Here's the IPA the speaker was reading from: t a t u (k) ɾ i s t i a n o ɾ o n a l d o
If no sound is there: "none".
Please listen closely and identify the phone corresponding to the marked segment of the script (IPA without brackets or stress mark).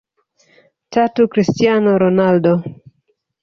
k